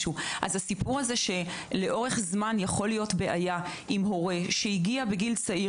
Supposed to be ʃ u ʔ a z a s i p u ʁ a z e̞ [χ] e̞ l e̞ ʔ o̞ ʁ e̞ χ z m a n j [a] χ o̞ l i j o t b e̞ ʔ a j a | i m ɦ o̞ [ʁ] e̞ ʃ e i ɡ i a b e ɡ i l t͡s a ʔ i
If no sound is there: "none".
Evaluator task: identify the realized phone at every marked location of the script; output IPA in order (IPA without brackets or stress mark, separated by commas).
ʃ, a, ʁ